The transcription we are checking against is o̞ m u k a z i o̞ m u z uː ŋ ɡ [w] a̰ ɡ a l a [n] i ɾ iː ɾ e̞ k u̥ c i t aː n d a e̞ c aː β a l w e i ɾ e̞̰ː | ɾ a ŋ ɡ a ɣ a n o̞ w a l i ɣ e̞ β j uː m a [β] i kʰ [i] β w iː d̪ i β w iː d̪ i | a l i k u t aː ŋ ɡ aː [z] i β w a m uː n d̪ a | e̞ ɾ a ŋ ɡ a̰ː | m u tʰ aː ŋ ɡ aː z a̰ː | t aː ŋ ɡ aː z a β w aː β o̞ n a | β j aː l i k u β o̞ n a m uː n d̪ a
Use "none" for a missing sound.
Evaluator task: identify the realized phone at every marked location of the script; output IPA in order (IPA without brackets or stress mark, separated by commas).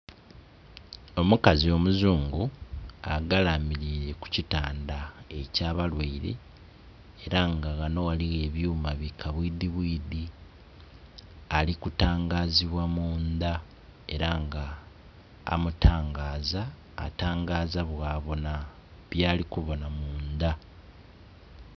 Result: u, m, β, a, z